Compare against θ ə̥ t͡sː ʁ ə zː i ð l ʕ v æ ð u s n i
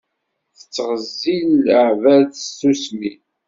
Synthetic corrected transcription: θ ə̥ t͡sː ʁ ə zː i l ʕ v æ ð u s m i